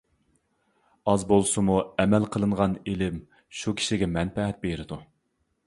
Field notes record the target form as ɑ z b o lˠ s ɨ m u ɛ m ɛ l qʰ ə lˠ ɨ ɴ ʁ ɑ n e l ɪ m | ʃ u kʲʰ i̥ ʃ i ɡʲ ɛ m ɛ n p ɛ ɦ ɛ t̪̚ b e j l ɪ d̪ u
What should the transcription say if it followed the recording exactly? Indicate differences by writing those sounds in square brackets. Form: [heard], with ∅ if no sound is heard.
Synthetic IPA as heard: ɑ z b o lˠ s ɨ m u ɛ m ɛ l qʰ ə lˠ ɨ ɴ ʁ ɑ n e l ɪ m | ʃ u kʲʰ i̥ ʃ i ɡʲ ɛ m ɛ n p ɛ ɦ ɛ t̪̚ b e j [ɾ] ɪ d̪ u